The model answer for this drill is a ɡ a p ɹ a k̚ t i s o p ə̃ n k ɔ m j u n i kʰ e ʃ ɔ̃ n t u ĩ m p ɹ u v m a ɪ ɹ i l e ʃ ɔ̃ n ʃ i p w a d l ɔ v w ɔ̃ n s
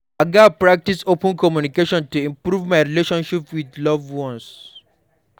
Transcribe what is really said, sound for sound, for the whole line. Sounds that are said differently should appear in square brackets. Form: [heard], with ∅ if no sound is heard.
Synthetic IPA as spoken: a ɡ a p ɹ a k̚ t i s o p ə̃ n k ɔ m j u n i [k] e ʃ ɔ̃ n t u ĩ m p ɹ u v m a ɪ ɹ i l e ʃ ɔ̃ n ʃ i p w [i] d l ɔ v w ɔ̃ n s